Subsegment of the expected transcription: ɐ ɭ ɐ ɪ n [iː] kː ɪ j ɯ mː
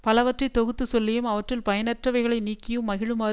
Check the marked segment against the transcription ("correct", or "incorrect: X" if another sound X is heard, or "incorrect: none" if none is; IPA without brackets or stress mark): correct